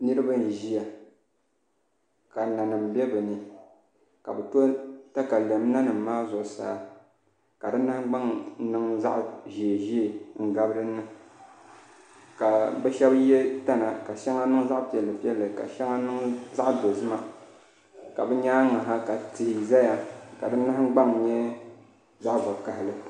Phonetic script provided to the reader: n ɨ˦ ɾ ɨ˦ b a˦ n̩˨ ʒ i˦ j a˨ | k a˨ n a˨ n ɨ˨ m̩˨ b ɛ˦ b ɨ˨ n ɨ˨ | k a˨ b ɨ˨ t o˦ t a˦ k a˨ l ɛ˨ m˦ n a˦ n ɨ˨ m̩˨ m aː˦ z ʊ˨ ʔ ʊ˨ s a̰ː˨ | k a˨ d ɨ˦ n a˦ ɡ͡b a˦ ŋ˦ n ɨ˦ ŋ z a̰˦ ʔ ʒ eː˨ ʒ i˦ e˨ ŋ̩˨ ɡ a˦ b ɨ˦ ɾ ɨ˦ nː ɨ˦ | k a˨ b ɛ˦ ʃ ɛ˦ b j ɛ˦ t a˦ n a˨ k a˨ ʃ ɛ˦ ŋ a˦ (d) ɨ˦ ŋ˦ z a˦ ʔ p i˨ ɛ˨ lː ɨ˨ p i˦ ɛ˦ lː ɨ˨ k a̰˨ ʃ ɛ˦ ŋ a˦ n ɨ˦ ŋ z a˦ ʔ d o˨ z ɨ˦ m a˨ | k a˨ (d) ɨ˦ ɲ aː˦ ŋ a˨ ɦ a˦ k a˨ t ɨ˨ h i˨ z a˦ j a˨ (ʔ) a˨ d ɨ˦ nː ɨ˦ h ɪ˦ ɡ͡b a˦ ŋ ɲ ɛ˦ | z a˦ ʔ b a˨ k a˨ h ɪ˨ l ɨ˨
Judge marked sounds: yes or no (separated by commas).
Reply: no, no, no